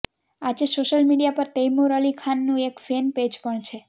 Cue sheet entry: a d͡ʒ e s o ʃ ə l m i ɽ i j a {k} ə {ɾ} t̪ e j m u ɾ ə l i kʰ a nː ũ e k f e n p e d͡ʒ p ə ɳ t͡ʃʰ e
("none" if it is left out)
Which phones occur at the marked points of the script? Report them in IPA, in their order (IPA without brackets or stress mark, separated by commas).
p, ɾ